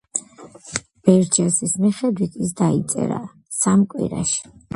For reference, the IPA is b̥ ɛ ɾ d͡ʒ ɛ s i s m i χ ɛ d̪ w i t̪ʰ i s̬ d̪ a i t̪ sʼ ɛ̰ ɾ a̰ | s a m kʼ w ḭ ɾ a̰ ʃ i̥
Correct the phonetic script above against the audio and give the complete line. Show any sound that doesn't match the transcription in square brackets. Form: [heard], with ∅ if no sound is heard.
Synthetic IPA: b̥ ɛ ɾ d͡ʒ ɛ s i s m i χ ɛ d̪ w i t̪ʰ i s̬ d̪ a i t̪ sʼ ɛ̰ ɾ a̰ | s a m kʼ w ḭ ɾ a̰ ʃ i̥